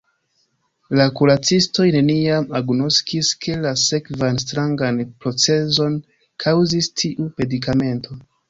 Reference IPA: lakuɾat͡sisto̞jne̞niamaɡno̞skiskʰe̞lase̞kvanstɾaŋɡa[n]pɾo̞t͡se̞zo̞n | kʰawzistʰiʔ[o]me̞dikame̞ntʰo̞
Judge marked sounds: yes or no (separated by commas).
yes, no